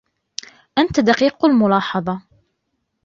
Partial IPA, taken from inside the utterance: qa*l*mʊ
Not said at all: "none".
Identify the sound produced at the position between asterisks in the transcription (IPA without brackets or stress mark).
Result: l